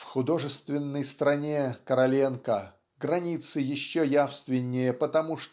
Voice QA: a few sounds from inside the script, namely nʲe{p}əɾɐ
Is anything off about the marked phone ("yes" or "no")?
yes